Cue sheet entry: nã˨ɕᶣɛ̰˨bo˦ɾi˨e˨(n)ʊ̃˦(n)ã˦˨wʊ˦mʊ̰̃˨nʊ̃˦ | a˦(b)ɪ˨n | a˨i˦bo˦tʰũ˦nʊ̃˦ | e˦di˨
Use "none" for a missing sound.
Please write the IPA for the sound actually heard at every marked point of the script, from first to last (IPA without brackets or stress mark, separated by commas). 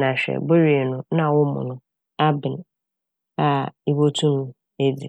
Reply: n, n, b